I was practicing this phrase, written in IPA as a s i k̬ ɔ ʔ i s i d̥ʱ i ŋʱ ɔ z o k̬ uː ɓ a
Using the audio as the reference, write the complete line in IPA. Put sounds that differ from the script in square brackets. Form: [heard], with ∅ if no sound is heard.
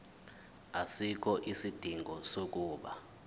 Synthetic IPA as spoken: a s i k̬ ɔ ʔ i s i d̥ʱ i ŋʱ ɔ [s] o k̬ uː ɓ a